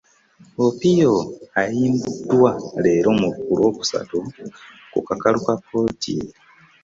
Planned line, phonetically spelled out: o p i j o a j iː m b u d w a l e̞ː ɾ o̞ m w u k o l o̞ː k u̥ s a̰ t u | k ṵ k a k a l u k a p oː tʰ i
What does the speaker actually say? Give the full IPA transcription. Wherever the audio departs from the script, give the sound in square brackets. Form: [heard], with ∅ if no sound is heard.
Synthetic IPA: o p i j o a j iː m b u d w a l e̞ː ɾ o̞ m [u] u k [u] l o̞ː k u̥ s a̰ t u | k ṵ k a k a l u k a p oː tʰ i